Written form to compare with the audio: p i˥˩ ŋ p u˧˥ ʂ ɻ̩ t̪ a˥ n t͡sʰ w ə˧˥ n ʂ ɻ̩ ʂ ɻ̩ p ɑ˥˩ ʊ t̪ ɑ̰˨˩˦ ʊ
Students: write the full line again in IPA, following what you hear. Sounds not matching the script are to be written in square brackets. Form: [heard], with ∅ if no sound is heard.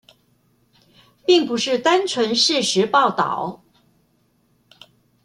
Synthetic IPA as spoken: p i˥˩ ŋ p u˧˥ ʂ ɻ̩ t̪ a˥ n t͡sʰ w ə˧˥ n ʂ ɻ̩ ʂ ɻ̩ p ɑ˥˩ ʊ t̪ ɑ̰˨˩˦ ʊ